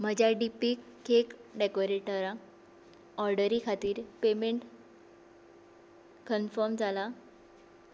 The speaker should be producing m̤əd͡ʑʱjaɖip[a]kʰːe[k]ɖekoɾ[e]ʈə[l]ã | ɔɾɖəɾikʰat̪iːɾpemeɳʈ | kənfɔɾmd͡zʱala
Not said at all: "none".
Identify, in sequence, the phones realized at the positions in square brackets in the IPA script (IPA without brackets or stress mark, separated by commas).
i, k, e, ɾ